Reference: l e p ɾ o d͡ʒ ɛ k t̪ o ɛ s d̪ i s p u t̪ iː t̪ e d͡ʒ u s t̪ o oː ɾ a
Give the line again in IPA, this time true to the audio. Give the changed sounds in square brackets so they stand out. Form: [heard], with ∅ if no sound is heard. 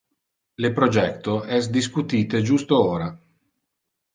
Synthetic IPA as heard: l e p ɾ o d͡ʒ ɛ k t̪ o ɛ s d̪ i s [k] u t̪ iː t̪ e d͡ʒ u s t̪ o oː ɾ a